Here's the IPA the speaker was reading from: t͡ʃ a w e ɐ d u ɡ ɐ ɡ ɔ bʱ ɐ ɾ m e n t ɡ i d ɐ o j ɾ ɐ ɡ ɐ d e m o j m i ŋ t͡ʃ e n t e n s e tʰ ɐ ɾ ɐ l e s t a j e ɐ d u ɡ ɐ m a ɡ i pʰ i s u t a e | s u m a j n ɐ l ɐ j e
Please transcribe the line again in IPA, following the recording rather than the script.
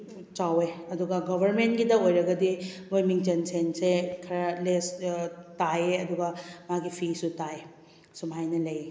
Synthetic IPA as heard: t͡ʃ a w e ɐ d u ɡ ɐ ɡ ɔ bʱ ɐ ɾ m e n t ɡ i d ɐ o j ɾ ɐ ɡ ɐ d i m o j m i ŋ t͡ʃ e n s e n s e kʰ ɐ ɾ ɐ l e s t a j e ɐ d u ɡ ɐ m a ɡ i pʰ i s u t a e | s u m a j n ɐ l ɐ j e